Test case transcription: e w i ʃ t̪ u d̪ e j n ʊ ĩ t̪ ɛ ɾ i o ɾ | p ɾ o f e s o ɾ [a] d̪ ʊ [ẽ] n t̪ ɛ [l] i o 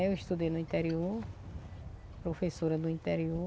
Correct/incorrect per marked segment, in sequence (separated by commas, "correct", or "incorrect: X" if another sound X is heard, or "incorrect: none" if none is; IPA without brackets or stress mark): incorrect: ɐ, incorrect: ĩ, incorrect: ɾ